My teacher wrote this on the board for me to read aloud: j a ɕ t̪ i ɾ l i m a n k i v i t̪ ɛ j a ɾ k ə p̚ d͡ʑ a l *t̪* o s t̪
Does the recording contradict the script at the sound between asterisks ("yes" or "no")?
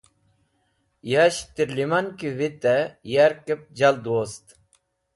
yes